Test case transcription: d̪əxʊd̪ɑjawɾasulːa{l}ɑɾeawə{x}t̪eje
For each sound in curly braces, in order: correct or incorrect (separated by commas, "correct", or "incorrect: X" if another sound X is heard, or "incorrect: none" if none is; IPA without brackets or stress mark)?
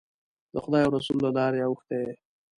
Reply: correct, correct